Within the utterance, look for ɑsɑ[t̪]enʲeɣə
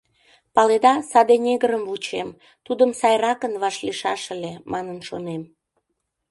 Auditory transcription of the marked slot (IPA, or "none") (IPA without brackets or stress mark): d̪